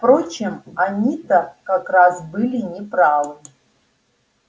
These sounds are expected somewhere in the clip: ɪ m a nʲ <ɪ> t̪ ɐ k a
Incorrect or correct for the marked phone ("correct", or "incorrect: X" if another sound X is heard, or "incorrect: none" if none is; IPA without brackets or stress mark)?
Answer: incorrect: i